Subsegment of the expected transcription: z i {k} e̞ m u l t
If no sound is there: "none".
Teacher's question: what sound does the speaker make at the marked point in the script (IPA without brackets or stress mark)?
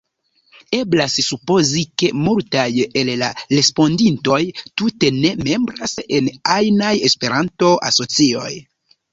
k